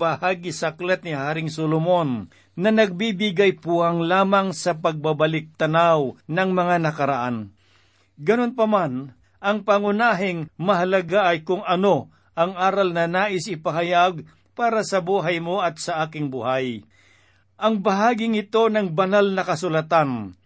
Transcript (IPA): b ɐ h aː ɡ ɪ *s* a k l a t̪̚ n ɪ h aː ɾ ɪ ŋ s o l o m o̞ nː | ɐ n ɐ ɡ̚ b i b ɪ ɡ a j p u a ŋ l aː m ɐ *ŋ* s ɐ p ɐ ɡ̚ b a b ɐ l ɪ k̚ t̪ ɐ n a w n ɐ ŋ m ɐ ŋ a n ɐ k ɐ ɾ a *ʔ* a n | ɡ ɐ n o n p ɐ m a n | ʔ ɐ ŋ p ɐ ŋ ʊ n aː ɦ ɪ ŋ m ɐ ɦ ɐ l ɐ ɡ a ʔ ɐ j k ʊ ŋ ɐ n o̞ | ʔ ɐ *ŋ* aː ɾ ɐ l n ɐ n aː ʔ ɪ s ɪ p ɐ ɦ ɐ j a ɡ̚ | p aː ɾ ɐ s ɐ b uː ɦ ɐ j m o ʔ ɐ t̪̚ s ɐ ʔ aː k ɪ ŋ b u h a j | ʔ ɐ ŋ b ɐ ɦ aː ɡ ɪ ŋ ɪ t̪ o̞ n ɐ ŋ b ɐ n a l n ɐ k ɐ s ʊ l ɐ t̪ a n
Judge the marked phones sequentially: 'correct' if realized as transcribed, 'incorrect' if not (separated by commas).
correct, correct, correct, correct